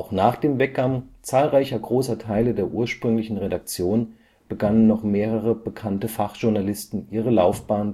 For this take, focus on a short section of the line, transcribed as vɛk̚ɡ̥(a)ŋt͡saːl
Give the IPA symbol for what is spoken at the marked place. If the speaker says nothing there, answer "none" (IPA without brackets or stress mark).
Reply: a